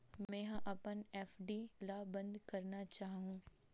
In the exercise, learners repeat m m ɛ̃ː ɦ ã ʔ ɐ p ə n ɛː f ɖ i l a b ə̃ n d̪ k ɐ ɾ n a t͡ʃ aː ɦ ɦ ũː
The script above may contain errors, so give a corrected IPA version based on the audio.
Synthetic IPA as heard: m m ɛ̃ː ɦ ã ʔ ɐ p ə n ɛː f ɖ i l a b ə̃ n d̪ k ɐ ɾ n a t͡ʃ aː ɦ ɦ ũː